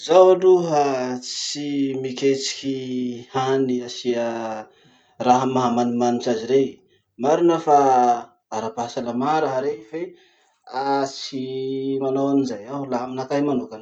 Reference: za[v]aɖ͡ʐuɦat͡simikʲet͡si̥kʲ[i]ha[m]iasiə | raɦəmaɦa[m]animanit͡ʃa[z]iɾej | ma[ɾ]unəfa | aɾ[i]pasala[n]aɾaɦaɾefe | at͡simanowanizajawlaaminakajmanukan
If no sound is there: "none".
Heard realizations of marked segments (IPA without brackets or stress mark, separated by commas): w, i, n, m, z, ɾ, a, m